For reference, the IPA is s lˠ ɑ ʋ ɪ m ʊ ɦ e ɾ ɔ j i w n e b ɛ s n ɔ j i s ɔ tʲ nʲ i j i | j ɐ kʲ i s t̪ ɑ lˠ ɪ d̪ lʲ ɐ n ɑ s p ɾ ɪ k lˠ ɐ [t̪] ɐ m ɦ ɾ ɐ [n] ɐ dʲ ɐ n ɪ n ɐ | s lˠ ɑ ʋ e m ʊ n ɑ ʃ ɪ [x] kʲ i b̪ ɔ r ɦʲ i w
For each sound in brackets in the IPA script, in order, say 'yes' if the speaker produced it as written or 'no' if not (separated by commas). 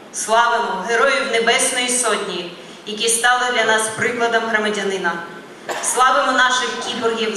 no, no, yes